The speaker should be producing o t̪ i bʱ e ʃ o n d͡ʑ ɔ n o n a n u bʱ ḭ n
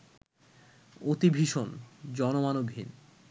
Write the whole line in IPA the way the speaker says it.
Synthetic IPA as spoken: o t̪ i bʱ i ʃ o n d͡ʑ ɔ n o m a n o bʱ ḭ n